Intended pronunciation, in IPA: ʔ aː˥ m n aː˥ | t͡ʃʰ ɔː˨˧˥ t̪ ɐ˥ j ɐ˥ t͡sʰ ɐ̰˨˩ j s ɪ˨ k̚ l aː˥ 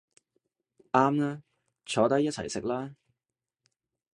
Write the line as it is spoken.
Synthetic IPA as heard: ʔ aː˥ m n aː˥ | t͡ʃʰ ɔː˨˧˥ t̪ ɐ˥ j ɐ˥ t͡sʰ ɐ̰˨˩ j s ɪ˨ k̚ l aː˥